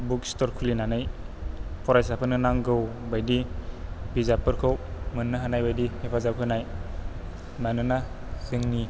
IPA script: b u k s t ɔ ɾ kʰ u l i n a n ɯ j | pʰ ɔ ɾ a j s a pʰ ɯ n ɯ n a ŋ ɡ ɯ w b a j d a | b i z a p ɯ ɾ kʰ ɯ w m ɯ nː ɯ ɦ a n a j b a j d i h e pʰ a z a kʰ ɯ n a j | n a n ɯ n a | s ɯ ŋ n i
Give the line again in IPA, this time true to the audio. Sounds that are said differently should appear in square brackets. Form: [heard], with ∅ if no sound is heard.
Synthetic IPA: b u k s t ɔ ɾ kʰ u l i n a n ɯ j | pʰ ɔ ɾ a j s a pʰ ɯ n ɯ n a ŋ ɡ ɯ w b a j d [i] | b i z a p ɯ ɾ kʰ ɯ w m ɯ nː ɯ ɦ a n a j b a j d i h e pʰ a z a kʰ ɯ n a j | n a n ɯ n a | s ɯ ŋ n i